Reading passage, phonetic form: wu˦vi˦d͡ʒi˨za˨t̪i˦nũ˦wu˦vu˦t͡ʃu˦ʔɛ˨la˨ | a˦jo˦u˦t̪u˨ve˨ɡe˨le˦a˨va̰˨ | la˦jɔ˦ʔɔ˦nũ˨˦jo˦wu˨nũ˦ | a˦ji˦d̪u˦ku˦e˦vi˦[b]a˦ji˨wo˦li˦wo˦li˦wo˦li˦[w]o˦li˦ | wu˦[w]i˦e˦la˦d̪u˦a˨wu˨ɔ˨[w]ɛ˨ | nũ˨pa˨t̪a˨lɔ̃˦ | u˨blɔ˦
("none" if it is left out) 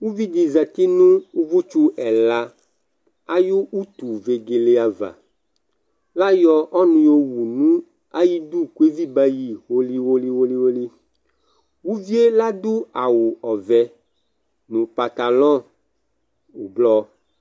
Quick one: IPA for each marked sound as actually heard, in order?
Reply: b, w, v, v

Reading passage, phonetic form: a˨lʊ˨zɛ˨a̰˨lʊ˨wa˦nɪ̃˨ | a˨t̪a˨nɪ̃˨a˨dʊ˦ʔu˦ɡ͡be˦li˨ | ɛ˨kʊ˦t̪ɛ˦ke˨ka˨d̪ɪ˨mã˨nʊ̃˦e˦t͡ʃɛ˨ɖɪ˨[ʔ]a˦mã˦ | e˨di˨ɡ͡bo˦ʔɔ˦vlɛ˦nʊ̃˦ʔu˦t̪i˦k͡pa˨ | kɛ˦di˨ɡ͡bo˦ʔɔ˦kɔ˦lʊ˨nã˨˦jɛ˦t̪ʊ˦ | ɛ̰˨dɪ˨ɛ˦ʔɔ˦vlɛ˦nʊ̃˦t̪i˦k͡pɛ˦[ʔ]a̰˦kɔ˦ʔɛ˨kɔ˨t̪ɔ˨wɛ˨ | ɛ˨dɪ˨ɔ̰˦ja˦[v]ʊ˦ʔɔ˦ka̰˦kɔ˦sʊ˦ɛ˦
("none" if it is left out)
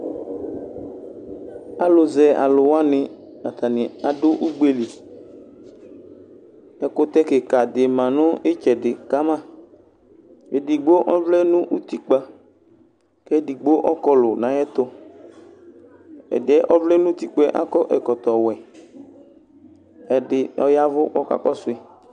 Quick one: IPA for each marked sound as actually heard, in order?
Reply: k, ʔ, v

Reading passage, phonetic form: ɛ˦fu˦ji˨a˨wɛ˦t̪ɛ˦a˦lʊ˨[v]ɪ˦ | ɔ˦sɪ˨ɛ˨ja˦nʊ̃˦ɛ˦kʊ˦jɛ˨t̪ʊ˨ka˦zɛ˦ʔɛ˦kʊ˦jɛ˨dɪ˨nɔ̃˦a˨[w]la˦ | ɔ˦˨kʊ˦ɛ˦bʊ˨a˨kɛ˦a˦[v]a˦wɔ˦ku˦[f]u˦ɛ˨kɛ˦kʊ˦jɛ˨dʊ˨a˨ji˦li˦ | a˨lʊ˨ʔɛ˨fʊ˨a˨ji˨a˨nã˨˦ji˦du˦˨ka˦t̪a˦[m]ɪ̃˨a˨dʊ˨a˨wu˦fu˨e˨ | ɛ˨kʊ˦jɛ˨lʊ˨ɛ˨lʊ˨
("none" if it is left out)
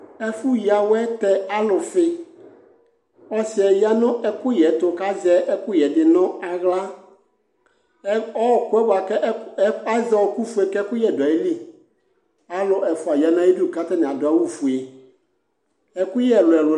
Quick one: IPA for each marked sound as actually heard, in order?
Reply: f, ɣ, z, f, n

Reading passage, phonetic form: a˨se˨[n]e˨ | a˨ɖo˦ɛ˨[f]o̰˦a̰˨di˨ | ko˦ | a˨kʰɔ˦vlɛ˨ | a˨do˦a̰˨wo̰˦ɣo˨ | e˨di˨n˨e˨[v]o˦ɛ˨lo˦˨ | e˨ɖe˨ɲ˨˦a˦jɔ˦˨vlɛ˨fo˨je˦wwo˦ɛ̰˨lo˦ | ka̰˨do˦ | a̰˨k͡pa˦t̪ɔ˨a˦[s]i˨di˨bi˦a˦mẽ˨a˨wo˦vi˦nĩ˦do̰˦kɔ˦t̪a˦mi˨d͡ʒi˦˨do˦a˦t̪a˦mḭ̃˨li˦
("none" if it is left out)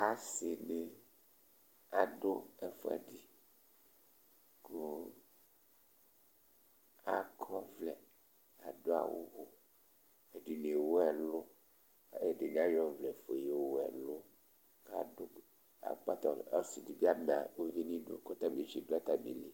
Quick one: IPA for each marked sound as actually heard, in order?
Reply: n, f, w, s

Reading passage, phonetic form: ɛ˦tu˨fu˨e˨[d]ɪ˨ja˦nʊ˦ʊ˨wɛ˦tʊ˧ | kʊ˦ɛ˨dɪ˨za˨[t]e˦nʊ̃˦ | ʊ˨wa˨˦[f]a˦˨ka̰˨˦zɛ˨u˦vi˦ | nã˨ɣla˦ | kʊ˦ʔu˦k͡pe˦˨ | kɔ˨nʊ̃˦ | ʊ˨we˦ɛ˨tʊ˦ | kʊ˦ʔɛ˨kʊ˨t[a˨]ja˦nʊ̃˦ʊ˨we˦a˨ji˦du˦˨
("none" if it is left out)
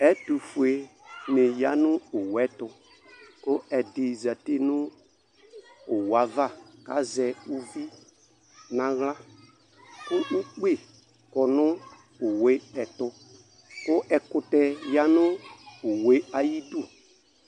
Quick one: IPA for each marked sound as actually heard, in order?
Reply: n, t, v, ɛ˨

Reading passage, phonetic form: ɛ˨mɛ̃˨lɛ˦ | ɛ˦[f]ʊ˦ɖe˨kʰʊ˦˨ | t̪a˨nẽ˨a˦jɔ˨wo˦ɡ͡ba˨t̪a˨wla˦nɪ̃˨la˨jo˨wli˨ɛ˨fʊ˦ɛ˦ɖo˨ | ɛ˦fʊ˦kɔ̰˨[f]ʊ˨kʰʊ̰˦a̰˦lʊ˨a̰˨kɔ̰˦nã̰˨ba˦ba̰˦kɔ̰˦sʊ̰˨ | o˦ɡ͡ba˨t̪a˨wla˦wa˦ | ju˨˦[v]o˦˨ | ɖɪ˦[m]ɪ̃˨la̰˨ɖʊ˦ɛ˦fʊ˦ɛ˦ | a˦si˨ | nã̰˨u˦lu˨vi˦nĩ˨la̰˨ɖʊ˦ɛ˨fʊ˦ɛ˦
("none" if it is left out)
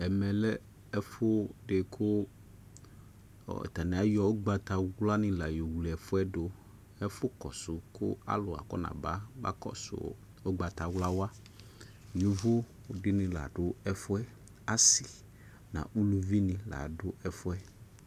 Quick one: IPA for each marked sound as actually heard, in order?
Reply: f, s, v, n

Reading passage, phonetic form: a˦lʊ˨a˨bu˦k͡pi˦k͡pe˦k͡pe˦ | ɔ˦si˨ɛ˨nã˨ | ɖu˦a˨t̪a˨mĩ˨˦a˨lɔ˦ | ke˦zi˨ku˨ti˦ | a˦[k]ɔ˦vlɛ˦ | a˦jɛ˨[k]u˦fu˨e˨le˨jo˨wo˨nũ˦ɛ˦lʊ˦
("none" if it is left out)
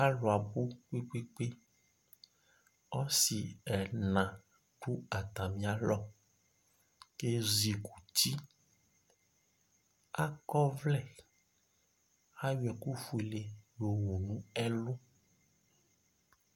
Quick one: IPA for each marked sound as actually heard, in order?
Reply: k, k

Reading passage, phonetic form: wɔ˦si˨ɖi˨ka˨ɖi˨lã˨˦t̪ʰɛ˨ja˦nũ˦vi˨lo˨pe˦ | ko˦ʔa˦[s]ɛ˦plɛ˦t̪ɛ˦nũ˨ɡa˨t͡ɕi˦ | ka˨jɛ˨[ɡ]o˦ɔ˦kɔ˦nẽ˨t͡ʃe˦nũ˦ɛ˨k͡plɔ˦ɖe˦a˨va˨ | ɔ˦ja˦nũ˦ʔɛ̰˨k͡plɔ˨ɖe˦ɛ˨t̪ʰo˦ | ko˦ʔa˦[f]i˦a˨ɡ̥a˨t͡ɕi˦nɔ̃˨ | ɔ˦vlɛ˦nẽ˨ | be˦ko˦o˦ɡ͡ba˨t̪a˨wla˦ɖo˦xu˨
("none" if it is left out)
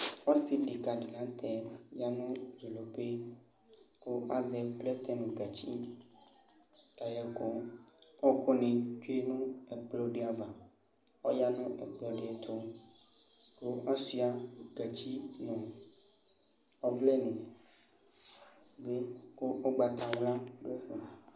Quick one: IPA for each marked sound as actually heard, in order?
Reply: z, k, s

